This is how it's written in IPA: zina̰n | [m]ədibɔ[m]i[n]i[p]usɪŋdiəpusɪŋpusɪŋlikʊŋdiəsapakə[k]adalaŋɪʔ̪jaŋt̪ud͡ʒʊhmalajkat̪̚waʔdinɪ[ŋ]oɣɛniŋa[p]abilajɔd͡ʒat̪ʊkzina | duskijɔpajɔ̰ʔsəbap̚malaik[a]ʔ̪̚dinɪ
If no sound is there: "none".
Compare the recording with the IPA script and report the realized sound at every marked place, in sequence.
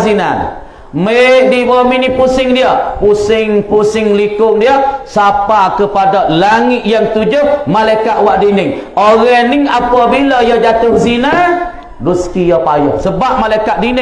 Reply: m, m, n, p, p, ŋ, p, a

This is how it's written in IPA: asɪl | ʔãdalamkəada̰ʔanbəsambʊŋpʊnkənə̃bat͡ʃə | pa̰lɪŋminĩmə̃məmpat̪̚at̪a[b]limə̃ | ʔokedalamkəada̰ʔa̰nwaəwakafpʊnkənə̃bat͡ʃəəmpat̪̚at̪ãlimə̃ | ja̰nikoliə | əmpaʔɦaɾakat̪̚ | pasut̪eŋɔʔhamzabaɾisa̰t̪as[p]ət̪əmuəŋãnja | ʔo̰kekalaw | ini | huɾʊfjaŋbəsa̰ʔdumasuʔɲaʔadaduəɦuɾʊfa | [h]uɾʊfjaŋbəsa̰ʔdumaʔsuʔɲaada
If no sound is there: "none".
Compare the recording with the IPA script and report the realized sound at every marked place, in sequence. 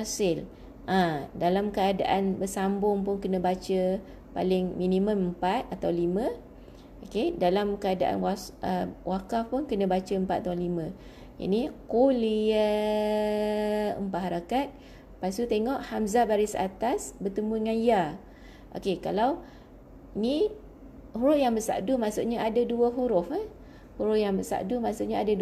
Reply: w, b, h

